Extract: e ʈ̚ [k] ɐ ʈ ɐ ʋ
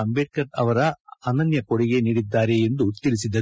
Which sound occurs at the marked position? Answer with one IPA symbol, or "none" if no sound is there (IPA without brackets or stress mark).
k